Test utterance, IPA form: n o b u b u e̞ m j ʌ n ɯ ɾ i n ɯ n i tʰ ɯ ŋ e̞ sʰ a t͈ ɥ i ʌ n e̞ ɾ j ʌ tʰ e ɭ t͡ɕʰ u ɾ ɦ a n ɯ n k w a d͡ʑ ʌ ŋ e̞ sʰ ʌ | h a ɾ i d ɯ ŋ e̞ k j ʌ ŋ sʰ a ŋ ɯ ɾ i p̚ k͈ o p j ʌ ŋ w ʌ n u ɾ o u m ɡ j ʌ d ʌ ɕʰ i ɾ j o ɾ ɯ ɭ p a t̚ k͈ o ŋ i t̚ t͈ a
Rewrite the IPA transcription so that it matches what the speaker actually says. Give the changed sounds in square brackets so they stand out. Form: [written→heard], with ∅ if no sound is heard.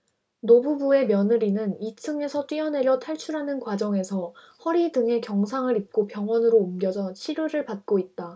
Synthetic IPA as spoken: n o b u b u e̞ m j ʌ n ɯ ɾ i n ɯ n i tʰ ɯ ŋ e̞ sʰ [a→ʌ] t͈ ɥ i ʌ n e̞ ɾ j ʌ tʰ [e→a] ɭ t͡ɕʰ u ɾ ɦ a n ɯ n k w a d͡ʑ ʌ ŋ e̞ sʰ ʌ | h [a→ʌ] ɾ i d ɯ ŋ e̞ k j ʌ ŋ sʰ a ŋ ɯ ɾ i p̚ k͈ o p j ʌ ŋ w ʌ n [u→ɯ] ɾ o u m ɡ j ʌ [d→d͡ʑ] ʌ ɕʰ i ɾ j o ɾ ɯ ɭ p a t̚ k͈ o [ŋ→∅] i t̚ t͈ a